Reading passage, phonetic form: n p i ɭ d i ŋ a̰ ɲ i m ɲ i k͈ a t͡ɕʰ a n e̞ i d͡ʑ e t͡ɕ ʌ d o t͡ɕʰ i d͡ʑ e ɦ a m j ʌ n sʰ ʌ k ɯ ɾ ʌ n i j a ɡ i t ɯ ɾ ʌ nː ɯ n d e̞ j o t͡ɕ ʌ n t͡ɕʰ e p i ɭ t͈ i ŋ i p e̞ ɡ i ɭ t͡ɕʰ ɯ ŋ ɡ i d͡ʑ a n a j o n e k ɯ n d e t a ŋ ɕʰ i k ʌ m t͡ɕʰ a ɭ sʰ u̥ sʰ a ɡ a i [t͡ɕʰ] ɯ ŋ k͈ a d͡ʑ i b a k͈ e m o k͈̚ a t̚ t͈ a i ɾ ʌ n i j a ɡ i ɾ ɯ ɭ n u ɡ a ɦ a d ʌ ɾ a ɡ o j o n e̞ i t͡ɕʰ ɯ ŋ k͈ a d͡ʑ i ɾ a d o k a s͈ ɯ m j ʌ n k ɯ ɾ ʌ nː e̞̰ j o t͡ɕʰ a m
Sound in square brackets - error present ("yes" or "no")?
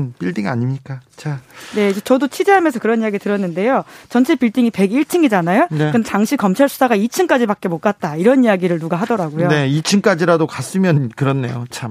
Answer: no